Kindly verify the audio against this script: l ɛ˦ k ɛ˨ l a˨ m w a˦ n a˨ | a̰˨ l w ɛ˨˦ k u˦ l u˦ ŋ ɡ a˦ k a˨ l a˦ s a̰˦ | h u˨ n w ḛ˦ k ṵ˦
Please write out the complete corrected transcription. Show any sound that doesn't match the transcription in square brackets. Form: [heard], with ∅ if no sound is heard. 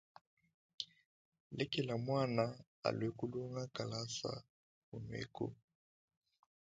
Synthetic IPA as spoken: l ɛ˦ k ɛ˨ l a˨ m w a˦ n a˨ | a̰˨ l w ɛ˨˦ k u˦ l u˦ ŋ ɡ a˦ k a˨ l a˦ s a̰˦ | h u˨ n w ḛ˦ k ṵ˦

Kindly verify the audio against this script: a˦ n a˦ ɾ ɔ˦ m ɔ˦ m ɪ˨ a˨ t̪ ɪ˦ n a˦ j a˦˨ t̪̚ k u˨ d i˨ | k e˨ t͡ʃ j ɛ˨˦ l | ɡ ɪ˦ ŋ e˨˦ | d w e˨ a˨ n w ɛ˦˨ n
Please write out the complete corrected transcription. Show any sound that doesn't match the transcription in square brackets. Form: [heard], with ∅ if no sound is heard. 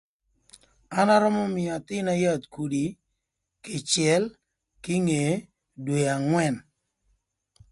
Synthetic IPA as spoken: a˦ n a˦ ɾ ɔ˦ m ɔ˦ m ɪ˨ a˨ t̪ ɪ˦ n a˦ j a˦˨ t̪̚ k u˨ d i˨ | k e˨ t͡ʃ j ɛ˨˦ l | [k] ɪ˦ ŋ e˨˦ | d w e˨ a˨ [ŋ] w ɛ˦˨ n

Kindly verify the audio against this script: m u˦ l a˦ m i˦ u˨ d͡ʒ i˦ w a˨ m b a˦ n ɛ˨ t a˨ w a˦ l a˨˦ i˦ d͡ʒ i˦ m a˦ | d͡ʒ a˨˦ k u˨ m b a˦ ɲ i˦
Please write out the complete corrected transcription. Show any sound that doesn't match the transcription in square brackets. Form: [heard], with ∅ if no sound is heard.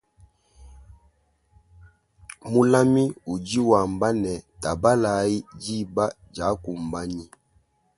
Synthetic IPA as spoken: m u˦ l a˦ m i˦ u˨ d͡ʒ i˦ w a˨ m b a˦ n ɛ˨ t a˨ [b] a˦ l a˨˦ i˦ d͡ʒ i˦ [b] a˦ | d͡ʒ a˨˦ k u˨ m b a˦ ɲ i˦

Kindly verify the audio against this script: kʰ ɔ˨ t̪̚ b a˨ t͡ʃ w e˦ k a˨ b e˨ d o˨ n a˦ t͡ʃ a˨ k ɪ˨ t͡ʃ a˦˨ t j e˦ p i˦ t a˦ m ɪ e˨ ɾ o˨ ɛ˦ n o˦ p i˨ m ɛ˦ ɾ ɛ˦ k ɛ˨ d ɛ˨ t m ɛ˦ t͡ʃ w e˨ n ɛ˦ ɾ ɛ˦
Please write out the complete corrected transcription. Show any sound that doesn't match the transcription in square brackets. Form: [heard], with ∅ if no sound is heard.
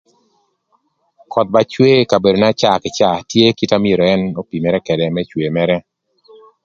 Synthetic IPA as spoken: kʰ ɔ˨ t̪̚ b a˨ t͡ʃ w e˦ k a˨ b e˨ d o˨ n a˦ t͡ʃ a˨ k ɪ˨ t͡ʃ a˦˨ t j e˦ [k] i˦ t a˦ m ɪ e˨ ɾ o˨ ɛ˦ n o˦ p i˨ m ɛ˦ ɾ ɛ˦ k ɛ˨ d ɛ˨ [∅] m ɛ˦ t͡ʃ w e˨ [m] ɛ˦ ɾ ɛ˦

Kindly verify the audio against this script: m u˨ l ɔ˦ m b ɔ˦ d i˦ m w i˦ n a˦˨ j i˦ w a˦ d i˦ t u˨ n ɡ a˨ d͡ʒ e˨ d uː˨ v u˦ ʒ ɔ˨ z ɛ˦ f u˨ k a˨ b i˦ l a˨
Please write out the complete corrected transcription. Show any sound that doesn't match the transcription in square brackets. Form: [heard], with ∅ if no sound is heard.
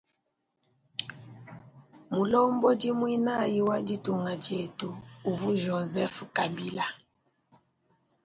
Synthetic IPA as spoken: m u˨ l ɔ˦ m b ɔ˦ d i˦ m w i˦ n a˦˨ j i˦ w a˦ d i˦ t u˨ [ŋ] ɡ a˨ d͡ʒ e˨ [t] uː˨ v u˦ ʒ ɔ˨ z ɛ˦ f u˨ k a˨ b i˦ l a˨

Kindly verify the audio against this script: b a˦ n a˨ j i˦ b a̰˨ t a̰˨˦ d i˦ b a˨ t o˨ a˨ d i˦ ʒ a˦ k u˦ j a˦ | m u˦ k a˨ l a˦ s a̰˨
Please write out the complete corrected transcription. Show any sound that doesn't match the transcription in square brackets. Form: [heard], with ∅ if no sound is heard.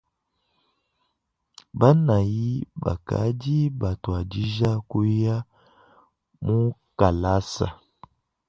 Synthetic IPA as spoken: b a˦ n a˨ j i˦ b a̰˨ [k] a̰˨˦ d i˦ b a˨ t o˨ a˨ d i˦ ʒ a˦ k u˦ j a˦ | m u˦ k a˨ l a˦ s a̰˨

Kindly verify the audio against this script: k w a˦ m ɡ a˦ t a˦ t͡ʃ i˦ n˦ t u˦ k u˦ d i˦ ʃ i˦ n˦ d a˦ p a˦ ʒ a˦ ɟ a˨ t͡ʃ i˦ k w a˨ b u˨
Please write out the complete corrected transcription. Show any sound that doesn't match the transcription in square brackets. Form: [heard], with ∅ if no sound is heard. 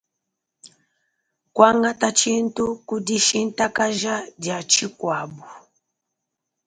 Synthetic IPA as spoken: k w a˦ [ŋ] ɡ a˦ t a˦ t͡ʃ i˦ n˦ t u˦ k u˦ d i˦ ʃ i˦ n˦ [t] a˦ [k] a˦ ʒ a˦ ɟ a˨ t͡ʃ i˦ k w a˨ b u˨

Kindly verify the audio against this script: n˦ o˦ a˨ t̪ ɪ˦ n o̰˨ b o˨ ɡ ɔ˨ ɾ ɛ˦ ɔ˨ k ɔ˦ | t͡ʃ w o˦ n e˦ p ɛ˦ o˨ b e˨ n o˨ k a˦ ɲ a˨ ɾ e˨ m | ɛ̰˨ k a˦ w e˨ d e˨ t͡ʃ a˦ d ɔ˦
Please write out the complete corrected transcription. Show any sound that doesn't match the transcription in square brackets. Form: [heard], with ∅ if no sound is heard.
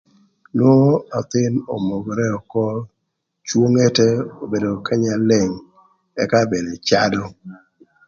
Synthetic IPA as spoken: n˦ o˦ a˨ t̪ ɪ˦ n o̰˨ [m] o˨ ɡ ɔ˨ ɾ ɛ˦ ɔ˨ k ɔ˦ | t͡ʃ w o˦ [ŋ] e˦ [t] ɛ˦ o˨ b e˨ [d] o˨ k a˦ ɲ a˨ [l] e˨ [ŋ] | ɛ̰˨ k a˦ [b] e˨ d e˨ t͡ʃ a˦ d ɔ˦

